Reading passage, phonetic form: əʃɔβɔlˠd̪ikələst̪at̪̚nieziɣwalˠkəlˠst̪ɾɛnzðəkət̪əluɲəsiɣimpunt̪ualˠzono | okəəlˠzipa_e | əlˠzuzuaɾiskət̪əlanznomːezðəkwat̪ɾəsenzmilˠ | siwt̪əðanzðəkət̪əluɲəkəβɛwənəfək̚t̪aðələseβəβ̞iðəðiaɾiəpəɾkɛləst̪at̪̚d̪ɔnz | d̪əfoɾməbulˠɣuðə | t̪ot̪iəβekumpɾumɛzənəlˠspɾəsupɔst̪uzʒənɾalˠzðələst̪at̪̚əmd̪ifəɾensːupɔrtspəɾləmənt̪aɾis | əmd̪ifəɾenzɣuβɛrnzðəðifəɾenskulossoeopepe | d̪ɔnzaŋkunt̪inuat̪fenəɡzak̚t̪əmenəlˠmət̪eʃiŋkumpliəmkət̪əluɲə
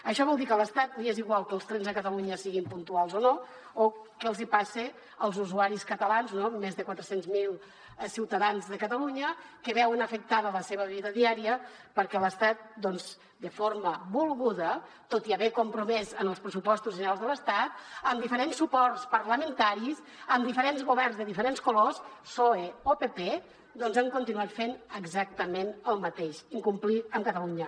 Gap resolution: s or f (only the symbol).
s